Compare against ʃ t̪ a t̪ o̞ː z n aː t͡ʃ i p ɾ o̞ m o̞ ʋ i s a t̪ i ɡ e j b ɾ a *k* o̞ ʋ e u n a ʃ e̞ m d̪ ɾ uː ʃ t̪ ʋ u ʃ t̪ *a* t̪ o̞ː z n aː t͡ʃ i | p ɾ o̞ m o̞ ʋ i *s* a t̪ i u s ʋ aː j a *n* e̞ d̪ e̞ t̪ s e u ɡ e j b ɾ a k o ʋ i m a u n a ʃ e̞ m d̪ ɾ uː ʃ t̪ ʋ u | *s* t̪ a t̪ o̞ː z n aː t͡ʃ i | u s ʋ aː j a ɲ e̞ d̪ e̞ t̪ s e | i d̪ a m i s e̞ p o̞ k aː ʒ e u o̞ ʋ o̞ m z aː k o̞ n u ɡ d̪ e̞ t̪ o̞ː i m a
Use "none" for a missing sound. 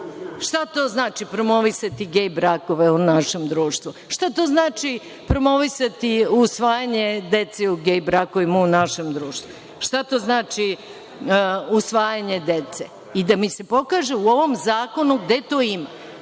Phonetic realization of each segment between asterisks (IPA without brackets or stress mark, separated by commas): k, a, s, ɲ, ʃ